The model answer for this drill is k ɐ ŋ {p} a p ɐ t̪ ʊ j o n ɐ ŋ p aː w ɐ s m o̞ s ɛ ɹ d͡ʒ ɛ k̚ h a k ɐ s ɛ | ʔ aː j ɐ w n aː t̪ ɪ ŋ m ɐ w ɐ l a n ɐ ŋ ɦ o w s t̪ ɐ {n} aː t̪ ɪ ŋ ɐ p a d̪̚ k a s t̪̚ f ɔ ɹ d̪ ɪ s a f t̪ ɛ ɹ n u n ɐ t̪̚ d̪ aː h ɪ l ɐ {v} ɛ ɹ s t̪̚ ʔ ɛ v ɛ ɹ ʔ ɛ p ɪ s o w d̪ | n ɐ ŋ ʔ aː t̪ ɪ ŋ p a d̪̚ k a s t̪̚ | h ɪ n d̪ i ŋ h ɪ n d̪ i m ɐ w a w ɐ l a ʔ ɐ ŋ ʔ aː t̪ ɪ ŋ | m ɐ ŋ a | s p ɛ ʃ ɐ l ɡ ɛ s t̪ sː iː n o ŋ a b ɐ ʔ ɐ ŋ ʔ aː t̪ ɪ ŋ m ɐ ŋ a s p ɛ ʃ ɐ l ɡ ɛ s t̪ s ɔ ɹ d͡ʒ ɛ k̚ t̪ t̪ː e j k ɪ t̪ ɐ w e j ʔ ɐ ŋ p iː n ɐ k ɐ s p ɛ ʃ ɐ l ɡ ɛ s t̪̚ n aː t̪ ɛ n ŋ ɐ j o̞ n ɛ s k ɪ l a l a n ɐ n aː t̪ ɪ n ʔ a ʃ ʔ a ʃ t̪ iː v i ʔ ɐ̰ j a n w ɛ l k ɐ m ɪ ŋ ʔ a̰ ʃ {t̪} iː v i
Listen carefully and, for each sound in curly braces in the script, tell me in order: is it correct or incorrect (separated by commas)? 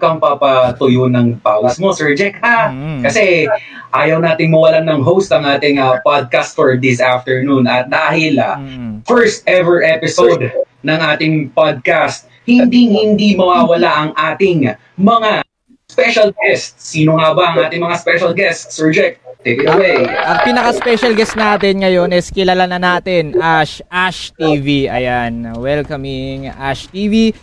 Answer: correct, incorrect, incorrect, correct